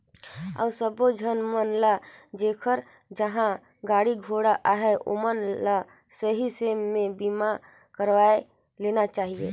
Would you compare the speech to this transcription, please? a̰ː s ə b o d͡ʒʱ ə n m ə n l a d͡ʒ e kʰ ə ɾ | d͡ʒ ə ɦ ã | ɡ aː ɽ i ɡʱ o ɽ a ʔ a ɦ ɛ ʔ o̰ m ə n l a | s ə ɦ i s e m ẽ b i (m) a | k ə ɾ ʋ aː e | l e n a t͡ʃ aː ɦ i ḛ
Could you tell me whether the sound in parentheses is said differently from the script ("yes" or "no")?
no